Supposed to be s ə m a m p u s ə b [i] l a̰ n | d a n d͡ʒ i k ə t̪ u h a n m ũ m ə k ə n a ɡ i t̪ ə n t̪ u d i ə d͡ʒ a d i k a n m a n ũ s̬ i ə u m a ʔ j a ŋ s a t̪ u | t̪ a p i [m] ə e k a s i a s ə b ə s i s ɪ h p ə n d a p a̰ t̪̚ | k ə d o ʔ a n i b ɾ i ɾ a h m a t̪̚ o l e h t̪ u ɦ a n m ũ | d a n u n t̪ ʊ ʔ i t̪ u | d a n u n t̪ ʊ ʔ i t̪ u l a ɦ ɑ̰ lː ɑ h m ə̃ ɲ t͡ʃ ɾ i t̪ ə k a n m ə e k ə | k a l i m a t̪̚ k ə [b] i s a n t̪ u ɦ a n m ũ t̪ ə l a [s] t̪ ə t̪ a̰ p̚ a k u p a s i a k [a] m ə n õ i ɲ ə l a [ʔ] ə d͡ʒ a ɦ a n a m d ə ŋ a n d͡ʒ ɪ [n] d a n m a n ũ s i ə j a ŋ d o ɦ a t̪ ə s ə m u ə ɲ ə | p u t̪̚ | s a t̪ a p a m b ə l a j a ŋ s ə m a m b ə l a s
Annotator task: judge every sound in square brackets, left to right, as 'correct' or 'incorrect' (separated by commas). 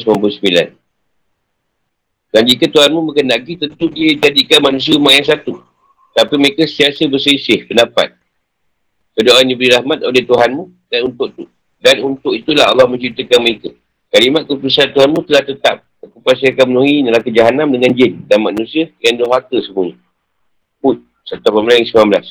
correct, correct, incorrect, incorrect, correct, incorrect, correct